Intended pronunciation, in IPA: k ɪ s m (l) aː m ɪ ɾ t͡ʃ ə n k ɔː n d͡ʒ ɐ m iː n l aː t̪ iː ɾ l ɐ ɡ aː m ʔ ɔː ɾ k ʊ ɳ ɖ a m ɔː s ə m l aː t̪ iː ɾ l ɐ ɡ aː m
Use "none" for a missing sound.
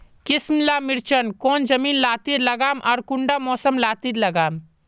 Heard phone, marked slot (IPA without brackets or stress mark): l